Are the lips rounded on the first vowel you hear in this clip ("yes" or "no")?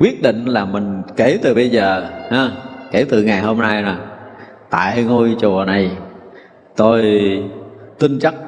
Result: no